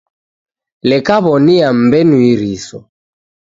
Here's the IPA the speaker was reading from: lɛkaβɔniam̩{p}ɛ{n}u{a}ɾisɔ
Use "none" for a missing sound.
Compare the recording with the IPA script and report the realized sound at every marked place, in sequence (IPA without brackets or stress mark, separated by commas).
b, n, i